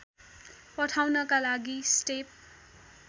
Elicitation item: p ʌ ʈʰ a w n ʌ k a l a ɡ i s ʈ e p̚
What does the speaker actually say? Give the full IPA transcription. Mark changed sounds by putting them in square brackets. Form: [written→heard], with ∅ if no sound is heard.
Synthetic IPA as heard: p ʌ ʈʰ a w n ʌ k a l a ɡ i s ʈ e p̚